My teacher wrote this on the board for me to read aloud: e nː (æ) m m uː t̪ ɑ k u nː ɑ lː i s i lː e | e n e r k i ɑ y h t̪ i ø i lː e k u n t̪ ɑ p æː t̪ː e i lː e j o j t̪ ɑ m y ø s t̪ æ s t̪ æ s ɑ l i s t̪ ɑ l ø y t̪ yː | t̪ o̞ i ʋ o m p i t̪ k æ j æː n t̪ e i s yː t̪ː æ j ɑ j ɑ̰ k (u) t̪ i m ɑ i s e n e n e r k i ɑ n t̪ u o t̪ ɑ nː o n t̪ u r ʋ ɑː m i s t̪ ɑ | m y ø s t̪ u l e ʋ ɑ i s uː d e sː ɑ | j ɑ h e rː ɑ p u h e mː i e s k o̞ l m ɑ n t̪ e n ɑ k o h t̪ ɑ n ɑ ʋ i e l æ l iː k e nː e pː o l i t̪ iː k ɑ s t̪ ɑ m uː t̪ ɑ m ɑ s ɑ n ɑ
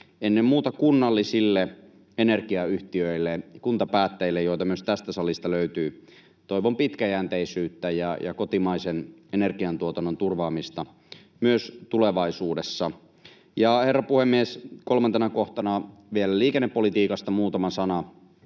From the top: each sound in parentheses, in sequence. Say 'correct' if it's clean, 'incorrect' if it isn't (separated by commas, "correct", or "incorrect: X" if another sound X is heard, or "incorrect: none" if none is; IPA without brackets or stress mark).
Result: incorrect: e, incorrect: o